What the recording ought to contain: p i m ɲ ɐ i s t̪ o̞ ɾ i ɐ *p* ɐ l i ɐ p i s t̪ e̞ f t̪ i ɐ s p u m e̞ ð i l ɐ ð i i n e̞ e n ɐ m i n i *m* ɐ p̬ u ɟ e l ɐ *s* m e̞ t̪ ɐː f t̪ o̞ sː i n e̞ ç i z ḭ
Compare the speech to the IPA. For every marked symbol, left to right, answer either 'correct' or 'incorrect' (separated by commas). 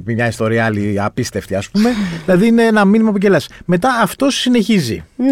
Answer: incorrect, correct, correct